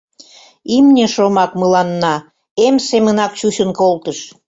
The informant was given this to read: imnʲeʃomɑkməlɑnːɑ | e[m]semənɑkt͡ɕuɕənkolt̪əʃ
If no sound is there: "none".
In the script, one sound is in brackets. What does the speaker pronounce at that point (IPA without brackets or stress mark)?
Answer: m